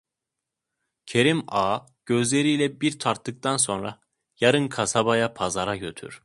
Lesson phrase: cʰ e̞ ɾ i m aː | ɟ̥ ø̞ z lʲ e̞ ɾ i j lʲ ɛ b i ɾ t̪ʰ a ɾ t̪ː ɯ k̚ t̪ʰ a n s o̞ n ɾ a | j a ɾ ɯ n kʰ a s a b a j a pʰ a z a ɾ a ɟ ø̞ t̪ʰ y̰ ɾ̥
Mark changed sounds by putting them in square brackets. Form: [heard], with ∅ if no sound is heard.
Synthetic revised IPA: cʰ e̞ ɾ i m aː | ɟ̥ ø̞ z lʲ e̞ ɾ i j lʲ ɛ b i ɾ t̪ʰ a ɾ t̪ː ɯ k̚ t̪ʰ a n s o̞ n ɾ a | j a ɾ ɯ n kʰ a s a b a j a pʰ a z a ɾ a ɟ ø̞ t̪ʰ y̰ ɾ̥